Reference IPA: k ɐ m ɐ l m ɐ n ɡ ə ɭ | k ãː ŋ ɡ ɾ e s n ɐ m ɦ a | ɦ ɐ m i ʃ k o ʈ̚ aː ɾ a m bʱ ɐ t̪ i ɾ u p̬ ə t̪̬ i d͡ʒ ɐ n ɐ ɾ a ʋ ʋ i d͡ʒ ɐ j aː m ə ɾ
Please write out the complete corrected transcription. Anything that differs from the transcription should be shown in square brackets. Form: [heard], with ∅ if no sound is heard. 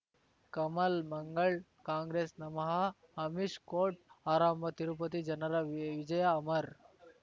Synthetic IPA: k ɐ m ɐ l m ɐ [ŋ] ɡ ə ɭ | k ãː ŋ ɡ ɾ e s n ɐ m ɦ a | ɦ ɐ m i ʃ k o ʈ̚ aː ɾ a m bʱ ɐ t̪ i ɾ u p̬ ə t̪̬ i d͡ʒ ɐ n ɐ ɾ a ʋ ʋ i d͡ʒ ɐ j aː m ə ɾ

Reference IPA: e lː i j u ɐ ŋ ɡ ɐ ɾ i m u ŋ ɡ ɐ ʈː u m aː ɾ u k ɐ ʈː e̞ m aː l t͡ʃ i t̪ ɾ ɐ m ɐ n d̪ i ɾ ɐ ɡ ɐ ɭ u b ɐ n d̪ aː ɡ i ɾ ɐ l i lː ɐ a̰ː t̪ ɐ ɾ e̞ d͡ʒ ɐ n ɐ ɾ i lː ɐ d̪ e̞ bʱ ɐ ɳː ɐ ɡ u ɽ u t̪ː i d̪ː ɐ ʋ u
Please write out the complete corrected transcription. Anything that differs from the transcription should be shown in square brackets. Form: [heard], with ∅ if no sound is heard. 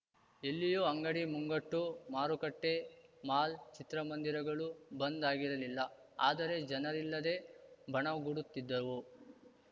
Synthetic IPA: e lː i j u ɐ ŋ ɡ ɐ [ɽ] i m u ŋ ɡ ɐ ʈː u m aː ɾ u k ɐ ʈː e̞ m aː l t͡ʃ i t̪ ɾ ɐ m ɐ n d̪ i ɾ ɐ ɡ ɐ ɭ u b ɐ n d̪ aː ɡ i ɾ ɐ l i lː ɐ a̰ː [d̪] ɐ ɾ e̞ d͡ʒ ɐ n ɐ ɾ i lː ɐ d̪ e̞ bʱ ɐ [ɳ] ɐ ɡ u ɽ u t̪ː i d̪ː ɐ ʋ u

